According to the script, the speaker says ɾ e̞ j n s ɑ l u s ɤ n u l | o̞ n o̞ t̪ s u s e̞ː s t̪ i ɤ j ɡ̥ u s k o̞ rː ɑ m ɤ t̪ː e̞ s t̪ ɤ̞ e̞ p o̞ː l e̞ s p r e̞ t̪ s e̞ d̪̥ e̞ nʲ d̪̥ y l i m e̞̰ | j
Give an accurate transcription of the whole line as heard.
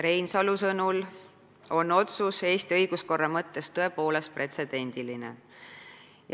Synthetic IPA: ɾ e̞ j n s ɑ l u s ɤ n u l | o̞ n o̞ t̪ s u s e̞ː s t̪ i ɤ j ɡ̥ u s k o̞ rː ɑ m ɤ t̪ː e̞ s t̪ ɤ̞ e̞ p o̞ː l e̞ s p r e̞ t̪ s e̞ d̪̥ e̞ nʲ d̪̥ i l i n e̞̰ | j